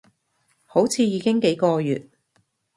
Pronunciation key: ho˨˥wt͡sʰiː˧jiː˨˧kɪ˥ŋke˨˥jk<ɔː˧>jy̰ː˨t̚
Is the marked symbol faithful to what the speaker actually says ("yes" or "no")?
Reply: yes